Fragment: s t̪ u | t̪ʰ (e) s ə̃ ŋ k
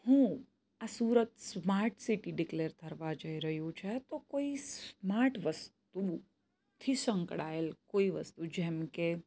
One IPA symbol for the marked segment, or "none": i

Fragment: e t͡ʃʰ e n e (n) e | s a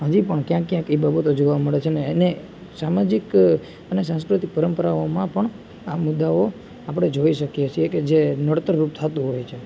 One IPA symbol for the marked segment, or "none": n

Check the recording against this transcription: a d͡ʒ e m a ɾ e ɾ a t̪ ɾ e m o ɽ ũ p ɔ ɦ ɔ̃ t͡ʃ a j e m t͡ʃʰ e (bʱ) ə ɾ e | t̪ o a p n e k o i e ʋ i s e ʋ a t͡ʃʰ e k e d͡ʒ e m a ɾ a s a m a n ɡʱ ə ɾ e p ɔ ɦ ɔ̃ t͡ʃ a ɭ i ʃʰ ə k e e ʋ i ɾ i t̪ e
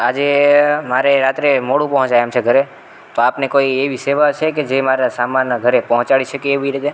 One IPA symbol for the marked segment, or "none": ɡʱ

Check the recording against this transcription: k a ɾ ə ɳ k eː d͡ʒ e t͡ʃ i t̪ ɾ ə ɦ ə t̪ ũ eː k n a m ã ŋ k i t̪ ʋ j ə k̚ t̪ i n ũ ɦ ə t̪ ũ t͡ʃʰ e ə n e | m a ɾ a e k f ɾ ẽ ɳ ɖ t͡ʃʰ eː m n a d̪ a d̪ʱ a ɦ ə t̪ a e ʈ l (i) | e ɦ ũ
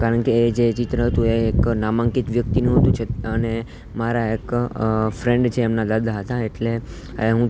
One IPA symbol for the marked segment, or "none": e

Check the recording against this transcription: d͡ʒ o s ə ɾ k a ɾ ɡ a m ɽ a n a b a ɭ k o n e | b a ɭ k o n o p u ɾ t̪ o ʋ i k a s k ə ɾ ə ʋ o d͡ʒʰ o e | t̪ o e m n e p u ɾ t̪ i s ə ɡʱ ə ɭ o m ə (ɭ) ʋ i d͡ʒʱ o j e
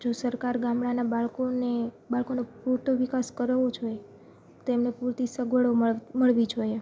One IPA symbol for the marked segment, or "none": ɭ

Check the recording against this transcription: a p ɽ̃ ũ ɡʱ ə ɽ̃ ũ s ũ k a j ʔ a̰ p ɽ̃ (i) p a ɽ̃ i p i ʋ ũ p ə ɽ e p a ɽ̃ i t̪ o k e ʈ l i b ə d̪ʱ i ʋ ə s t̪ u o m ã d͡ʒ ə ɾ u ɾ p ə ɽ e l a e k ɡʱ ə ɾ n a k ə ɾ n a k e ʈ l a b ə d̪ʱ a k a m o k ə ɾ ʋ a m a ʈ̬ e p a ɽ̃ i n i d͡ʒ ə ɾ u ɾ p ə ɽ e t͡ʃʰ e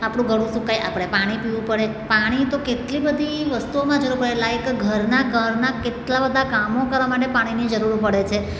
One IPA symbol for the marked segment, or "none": e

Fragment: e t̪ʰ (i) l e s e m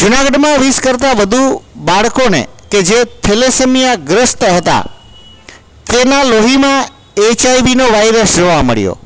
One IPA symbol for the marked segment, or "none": e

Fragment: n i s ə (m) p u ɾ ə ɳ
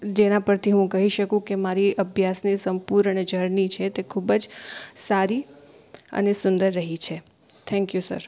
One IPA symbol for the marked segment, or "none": m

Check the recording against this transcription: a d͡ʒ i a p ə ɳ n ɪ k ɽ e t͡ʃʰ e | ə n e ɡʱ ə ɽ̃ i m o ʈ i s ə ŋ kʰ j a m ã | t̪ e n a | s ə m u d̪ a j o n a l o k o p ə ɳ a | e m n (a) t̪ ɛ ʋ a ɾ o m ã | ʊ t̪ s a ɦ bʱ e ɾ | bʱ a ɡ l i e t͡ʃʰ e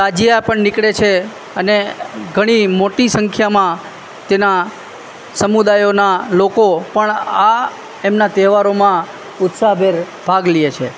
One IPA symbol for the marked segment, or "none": a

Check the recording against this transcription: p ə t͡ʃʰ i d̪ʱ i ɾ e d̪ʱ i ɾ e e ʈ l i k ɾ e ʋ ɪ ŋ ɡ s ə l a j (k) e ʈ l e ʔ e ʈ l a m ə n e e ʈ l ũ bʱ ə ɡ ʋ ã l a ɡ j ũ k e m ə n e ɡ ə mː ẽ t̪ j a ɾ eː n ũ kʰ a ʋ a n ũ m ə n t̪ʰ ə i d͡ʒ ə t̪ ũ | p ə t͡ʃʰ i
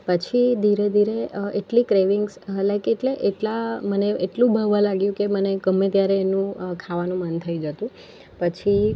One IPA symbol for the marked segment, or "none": k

